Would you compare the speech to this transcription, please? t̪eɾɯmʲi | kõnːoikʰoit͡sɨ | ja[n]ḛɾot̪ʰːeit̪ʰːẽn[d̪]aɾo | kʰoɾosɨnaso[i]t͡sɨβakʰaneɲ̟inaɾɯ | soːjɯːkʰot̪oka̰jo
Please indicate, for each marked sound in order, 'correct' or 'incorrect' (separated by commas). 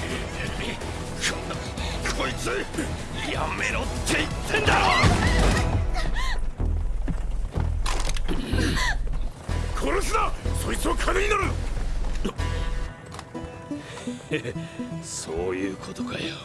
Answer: incorrect, correct, correct